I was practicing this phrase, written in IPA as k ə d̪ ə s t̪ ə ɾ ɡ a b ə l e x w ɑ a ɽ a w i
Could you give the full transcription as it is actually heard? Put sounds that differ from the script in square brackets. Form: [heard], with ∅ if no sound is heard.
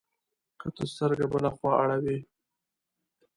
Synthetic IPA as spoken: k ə [t̪] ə s t̪ ə ɾ ɡ a b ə l [a] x w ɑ a ɽ a w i

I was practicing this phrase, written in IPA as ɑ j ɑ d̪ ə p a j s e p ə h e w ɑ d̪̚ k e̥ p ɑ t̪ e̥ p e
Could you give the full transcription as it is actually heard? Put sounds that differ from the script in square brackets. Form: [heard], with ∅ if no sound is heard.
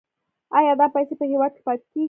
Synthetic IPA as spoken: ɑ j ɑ d̪ [ɑ] p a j s e p ə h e w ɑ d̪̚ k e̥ p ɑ t̪ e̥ [k] e

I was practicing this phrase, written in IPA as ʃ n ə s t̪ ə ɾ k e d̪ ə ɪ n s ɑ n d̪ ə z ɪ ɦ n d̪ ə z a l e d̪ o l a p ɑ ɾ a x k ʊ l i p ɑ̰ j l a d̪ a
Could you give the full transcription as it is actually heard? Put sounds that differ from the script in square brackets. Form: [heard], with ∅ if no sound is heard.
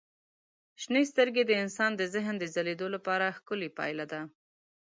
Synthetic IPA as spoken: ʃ n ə s t̪ ə ɾ [ɡ] e d̪ ə ɪ n s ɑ n d̪ ə z ɪ ɦ n d̪ ə z a l e d̪ o l a p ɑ ɾ a x k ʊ l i p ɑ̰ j l a d̪ a

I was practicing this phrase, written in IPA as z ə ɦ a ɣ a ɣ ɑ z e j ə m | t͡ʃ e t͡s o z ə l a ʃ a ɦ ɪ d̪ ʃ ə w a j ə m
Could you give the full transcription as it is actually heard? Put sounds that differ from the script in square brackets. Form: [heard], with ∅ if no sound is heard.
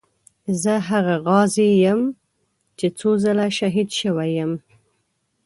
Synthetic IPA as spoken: z ə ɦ a ɣ a ɣ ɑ z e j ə m | t͡ʃ e t͡s o z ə l a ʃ a ɦ [i] d̪ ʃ ə w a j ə m

